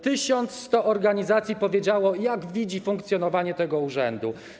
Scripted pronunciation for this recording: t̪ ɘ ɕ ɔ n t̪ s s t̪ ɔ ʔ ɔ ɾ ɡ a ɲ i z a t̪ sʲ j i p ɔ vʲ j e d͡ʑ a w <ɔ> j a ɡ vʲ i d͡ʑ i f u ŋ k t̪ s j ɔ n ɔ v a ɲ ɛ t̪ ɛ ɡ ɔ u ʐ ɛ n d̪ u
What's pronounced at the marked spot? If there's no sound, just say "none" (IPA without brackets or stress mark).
ɔ